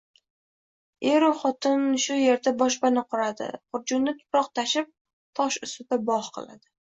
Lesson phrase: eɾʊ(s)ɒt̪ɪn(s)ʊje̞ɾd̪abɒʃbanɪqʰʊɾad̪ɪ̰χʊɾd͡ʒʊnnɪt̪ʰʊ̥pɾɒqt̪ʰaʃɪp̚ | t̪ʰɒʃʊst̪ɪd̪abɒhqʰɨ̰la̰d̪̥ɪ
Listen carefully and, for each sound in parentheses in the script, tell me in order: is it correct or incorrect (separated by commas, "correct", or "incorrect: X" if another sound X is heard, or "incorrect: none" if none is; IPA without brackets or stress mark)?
incorrect: χ, incorrect: ʃ